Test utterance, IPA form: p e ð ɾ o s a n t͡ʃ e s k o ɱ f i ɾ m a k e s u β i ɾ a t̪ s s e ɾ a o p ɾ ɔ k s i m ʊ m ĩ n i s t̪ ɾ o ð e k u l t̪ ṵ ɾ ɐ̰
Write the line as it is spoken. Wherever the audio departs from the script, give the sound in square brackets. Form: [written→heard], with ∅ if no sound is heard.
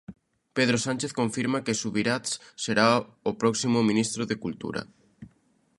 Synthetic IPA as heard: p e ð ɾ o s a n t͡ʃ e [s→θ] k o ɱ f i ɾ m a k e s u β i ɾ a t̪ s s e ɾ a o p ɾ ɔ k s i m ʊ m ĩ n i s t̪ ɾ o ð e k u l t̪ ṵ ɾ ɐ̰